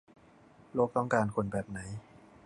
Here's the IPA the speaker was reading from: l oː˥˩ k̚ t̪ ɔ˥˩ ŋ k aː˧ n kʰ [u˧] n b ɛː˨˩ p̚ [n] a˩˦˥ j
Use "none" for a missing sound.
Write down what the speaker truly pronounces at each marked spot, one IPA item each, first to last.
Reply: o˧, n

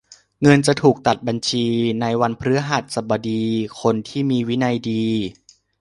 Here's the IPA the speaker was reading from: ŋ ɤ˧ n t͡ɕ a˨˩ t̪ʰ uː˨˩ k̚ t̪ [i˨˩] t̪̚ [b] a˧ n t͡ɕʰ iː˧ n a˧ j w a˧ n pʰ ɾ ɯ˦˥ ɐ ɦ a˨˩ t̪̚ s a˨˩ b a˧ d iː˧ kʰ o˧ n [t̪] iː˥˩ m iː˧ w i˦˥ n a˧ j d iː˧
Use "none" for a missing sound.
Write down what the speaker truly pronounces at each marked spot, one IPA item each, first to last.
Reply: a˨˩, b, t̪ʰ

